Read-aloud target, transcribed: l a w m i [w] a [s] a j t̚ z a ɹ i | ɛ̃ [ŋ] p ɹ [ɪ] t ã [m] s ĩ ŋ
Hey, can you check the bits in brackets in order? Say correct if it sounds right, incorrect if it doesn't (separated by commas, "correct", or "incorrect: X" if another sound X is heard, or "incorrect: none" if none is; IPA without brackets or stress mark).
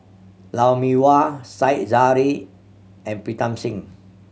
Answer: correct, correct, incorrect: n, incorrect: i, correct